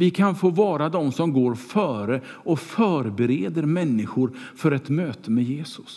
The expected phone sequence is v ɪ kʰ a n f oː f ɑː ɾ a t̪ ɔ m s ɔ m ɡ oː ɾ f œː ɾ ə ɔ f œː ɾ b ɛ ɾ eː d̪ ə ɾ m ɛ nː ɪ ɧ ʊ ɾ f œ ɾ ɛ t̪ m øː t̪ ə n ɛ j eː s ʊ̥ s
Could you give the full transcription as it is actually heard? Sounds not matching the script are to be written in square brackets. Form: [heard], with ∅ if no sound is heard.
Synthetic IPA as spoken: v ɪ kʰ a n f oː [v] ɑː ɾ a [d̪] ɔ m s ɔ m ɡ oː ɾ f œː ɾ ə ɔ f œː ɾ b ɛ ɾ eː d̪ ə ɾ m ɛ nː ɪ ɧ ʊ ɾ f œ ɾ ɛ t̪ m øː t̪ ə [m] ɛ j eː s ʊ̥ s